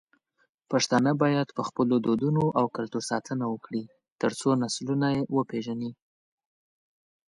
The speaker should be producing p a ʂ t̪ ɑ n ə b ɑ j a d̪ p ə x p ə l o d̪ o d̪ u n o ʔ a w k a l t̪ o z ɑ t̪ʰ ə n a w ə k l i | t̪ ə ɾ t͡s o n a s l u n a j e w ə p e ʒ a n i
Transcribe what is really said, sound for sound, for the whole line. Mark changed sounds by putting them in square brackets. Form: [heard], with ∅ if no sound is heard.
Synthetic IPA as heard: p a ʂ t̪ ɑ n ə b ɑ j a d̪ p ə x p ə l o d̪ o d̪ u n o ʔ a w k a l t̪ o [s] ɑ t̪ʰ ə n a w ə k [ɽ] i | t̪ ə ɾ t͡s o n a s l u n a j e w ə p e ʒ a n i